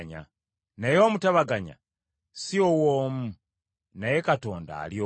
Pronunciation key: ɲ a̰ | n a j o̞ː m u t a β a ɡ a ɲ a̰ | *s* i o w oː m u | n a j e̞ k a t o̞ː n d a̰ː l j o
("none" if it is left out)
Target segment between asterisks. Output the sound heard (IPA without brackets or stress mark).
s